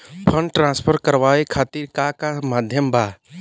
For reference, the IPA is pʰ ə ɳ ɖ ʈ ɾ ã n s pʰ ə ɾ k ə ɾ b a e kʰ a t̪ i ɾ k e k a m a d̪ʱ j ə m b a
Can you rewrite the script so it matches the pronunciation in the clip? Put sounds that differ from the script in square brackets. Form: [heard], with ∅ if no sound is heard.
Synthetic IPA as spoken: pʰ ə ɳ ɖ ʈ ɾ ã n s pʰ ə ɾ k ə ɾ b a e kʰ a t̪ i ɾ k [a] k a m a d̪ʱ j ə m b a

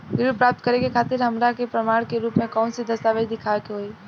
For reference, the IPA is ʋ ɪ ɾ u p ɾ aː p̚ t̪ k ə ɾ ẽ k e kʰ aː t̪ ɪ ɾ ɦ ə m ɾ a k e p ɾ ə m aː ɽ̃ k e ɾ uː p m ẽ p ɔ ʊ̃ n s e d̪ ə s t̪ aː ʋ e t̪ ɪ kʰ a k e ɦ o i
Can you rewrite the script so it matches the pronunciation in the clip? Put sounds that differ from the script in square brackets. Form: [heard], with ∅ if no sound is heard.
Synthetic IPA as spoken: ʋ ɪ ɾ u p ɾ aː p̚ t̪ k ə ɾ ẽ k e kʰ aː t̪ ɪ ɾ ɦ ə m ɾ a k e p ɾ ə m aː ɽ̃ k e ɾ uː p m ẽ [k] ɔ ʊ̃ n s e d̪ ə s t̪ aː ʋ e [d̪] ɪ kʰ a k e ɦ o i

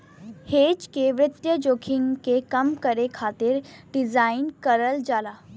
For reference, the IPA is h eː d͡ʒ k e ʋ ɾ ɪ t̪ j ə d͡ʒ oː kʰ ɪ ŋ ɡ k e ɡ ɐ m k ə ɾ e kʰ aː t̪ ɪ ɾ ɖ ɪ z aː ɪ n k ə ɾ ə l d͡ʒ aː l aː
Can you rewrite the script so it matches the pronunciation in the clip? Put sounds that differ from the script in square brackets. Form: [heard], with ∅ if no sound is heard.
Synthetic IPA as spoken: h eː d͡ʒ k e ʋ ɾ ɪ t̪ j ə d͡ʒ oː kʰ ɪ ŋ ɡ k e [k] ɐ m k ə ɾ e kʰ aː t̪ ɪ ɾ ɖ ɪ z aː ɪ n k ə ɾ ə l d͡ʒ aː l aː

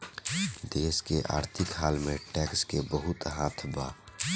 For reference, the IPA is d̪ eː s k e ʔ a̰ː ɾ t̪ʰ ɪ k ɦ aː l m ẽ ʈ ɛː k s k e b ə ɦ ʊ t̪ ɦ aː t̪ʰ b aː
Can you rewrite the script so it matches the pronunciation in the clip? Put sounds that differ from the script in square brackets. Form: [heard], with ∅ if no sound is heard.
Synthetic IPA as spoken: d̪ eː s k e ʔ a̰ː ɾ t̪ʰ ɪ k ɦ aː l m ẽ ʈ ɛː k s k e b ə ɦ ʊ t̪ ɦ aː t̪ʰ b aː

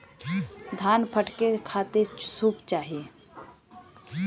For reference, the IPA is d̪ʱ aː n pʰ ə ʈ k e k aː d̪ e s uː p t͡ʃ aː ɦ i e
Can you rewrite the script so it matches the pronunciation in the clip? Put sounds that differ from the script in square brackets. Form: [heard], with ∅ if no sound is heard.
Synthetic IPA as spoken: d̪ʱ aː n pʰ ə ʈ k e [kʰ] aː [t̪] e s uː p t͡ʃ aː ɦ i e

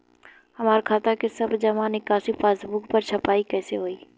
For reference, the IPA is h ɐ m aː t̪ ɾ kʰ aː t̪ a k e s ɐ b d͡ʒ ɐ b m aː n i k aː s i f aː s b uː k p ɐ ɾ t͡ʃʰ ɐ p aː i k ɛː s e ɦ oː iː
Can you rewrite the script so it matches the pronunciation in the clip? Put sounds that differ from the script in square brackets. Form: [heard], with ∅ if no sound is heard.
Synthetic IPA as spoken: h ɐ m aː [∅] ɾ kʰ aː t̪ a k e s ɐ b d͡ʒ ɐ [∅] m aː n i k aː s i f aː s b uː k p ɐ ɾ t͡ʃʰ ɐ p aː i k ɛː s e ɦ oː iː

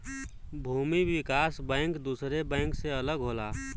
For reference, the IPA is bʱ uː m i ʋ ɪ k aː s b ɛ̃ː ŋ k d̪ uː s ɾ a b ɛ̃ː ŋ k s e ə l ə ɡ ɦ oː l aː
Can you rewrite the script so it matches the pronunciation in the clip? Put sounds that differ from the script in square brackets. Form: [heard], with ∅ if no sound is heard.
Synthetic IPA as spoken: bʱ uː m i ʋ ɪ k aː s b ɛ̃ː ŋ k d̪ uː s ɾ [e] b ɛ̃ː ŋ k s e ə l ə ɡ ɦ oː l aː

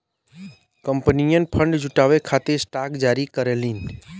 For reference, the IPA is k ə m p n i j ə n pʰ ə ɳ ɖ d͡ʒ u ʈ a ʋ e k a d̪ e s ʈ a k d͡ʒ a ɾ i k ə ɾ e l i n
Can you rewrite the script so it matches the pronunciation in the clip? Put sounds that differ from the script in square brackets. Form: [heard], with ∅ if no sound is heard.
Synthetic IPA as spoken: k ə m p n i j ə n pʰ ə ɳ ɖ d͡ʒ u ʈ a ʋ e [kʰ] a [t̪] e s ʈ a k d͡ʒ a ɾ i k ə ɾ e l i n

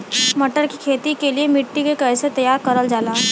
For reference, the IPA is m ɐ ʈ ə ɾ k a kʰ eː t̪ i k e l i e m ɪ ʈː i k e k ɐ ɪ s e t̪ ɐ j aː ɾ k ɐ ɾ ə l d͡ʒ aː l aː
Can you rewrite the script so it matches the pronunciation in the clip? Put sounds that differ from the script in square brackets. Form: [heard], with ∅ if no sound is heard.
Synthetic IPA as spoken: m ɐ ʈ ə ɾ k [i] kʰ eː t̪ i k e l i e m ɪ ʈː i k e k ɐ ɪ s e t̪ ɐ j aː ɾ k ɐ ɾ ə l d͡ʒ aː l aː

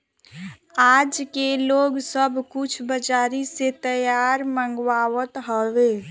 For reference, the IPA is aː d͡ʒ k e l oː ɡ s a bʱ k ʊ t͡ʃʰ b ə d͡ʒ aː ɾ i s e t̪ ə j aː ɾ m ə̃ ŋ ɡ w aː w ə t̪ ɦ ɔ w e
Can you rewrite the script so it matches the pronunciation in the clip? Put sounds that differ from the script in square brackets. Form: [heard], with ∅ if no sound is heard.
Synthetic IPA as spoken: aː d͡ʒ k e l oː ɡ s [ə] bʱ k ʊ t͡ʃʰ b ə d͡ʒ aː ɾ i s e t̪ ə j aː ɾ m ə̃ ŋ ɡ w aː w ə t̪ ɦ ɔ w e

